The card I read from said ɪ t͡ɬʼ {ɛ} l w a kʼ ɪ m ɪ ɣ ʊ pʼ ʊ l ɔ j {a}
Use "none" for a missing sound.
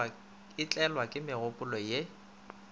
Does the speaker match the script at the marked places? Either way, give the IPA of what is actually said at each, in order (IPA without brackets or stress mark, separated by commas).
ɛ, e